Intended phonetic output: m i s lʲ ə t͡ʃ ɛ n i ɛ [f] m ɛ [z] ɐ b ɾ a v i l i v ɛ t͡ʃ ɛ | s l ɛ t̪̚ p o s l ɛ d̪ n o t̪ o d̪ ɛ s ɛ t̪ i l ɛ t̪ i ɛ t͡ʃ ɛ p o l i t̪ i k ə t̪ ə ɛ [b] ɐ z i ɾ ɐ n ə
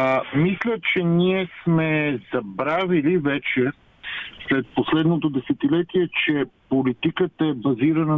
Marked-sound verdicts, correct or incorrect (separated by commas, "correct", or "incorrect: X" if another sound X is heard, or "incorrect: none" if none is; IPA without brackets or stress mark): incorrect: s, correct, correct